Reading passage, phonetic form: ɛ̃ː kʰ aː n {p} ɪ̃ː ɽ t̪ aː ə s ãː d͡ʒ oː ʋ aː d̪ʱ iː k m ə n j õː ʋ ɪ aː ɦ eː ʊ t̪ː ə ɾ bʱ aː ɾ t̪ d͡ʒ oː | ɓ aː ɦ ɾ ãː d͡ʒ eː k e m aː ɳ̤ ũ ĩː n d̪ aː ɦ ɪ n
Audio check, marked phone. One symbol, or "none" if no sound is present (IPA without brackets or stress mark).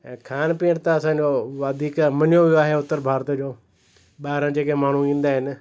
p